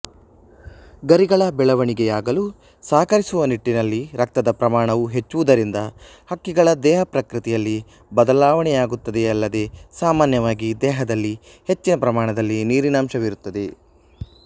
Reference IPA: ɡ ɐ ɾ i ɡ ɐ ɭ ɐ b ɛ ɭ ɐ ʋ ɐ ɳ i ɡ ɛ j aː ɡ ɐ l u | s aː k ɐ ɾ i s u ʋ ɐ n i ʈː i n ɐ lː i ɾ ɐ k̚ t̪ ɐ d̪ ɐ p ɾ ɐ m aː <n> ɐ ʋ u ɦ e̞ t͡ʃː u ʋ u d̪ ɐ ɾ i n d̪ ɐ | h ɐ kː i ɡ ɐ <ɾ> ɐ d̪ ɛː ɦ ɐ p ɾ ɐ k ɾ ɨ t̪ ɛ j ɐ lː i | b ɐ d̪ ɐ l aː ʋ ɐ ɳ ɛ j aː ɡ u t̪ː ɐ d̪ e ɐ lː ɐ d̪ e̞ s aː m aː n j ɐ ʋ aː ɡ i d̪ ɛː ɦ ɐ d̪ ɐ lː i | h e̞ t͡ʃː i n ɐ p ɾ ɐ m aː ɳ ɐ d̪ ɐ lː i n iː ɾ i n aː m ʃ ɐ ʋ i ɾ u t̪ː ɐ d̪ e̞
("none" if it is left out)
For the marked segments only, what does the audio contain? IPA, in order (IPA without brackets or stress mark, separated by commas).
ɳ, ɭ